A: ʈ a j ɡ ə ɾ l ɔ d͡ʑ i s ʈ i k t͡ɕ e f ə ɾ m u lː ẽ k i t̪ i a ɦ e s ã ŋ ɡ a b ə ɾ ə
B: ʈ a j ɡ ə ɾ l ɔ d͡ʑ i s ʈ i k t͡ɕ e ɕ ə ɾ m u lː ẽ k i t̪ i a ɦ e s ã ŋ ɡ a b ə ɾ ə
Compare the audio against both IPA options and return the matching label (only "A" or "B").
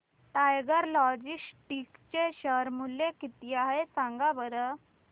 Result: B